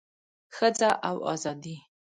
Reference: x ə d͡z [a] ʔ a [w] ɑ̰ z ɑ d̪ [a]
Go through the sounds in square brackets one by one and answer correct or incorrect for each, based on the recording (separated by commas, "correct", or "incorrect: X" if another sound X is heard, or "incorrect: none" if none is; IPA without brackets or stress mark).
correct, correct, incorrect: i